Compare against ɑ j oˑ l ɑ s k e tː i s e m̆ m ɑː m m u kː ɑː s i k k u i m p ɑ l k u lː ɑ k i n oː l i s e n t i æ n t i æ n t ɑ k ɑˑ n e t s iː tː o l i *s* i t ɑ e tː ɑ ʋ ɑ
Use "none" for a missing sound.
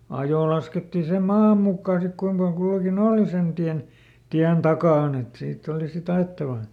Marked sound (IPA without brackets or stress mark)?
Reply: s